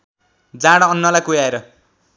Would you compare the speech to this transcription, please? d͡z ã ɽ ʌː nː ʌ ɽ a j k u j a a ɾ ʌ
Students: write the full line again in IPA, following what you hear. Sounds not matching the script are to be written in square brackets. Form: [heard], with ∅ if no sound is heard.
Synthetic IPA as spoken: d͡z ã ɽ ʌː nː ʌ [l] a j k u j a [e] ɾ ʌ